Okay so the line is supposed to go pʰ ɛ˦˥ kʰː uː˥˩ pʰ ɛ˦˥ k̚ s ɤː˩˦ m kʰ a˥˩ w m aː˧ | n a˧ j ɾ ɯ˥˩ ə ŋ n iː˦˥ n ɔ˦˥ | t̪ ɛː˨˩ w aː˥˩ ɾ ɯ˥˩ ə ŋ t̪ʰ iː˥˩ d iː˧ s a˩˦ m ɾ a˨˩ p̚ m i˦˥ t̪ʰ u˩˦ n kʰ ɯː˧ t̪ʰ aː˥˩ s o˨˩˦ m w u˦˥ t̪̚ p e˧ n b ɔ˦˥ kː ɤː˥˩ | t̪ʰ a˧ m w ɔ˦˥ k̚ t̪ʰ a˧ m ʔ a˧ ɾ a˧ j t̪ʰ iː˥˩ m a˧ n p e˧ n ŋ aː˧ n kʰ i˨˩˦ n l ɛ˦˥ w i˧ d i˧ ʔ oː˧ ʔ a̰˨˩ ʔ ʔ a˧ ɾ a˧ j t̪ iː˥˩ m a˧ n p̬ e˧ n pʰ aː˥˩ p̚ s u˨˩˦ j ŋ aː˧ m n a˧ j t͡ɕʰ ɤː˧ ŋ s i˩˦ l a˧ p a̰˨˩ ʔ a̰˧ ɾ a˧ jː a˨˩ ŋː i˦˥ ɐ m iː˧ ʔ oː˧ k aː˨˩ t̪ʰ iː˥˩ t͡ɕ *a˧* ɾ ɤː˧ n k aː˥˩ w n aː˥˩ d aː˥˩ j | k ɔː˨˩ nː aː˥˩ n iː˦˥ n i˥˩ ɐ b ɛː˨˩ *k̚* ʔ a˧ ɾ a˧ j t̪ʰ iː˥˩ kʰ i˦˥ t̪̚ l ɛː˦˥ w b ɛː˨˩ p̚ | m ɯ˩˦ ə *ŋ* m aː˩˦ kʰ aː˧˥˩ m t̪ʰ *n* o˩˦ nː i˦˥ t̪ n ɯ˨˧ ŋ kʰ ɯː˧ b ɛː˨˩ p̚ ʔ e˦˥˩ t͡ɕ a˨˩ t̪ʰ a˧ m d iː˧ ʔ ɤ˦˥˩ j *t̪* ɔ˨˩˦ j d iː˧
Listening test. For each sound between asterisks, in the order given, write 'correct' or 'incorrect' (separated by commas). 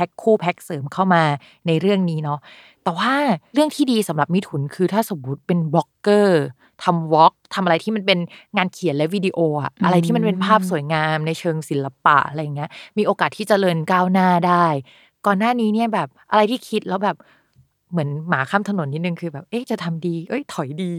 incorrect, incorrect, incorrect, correct, incorrect